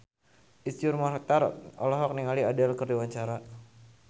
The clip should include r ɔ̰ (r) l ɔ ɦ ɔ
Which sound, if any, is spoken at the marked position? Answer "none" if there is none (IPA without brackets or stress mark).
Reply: none